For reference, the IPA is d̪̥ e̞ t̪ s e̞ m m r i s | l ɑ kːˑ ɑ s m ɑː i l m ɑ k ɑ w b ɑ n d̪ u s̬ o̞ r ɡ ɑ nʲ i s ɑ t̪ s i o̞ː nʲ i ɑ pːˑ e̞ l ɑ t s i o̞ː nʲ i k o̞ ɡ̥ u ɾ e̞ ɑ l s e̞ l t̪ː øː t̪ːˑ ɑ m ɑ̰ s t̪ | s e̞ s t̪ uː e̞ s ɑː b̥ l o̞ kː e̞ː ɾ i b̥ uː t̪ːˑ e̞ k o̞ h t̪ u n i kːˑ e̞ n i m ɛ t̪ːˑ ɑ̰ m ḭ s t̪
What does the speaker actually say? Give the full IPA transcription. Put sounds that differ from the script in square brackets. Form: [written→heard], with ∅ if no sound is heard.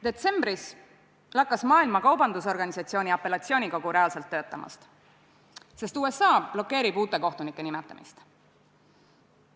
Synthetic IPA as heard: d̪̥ e̞ t̪ s e̞ m [m→b] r i s | l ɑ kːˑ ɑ s m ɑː i l m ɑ k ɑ w b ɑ n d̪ u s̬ o̞ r ɡ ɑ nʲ i s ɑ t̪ s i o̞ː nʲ i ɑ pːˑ e̞ l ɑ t s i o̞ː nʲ i k o̞ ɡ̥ u ɾ e̞ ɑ l s e̞ l t̪ː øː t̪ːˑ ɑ m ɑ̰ s t̪ | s e̞ s t̪ uː e̞ s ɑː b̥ l o̞ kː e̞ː ɾ i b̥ uː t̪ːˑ e̞ k o̞ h t̪ u n i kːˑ e̞ n i m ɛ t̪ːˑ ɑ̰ m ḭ s t̪